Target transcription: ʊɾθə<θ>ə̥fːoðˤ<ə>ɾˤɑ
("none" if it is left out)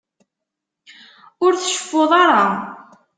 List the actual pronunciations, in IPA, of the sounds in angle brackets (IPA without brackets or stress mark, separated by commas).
ʃ, ɑ